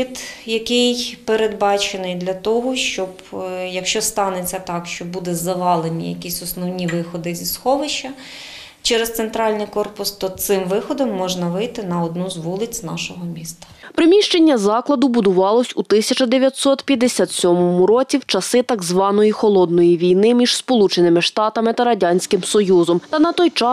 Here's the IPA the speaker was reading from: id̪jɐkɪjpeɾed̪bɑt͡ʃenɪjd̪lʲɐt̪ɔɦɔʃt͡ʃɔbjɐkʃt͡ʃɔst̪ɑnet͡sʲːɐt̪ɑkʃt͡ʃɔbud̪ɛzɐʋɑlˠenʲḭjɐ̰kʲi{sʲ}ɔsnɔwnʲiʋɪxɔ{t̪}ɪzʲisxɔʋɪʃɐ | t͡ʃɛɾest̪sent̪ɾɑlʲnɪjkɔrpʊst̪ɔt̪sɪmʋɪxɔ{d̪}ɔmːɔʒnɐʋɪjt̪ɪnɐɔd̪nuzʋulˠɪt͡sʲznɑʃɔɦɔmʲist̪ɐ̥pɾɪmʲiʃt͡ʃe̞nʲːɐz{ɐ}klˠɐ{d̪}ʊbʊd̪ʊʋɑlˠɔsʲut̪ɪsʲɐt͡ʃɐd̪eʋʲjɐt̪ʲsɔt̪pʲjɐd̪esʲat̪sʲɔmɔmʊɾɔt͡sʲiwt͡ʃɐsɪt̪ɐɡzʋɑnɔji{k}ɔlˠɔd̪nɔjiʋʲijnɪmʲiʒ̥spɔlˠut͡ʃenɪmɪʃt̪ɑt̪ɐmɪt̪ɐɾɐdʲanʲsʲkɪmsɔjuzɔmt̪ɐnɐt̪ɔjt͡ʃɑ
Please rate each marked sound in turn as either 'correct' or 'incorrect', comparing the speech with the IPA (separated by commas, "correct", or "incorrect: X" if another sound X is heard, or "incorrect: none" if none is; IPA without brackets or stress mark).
correct, incorrect: d̪, correct, incorrect: ɑ, correct, incorrect: x